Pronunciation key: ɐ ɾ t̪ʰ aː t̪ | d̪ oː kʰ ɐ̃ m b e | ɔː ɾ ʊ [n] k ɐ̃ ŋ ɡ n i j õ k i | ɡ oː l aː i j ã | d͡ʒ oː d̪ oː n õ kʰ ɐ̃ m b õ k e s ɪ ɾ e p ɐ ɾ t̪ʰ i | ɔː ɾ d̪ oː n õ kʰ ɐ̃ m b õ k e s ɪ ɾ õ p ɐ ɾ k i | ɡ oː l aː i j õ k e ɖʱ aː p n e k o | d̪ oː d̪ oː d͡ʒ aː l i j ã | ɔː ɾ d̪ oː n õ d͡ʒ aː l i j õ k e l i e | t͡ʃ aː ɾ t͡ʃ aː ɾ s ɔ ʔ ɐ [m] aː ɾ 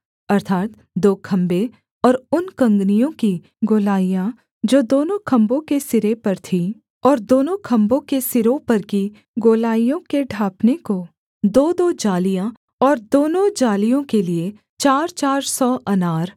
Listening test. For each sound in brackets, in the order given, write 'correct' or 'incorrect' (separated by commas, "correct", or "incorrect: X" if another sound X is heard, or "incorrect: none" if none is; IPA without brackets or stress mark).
correct, incorrect: n